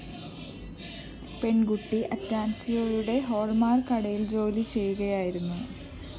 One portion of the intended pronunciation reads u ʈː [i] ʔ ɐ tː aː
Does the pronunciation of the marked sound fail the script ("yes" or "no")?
no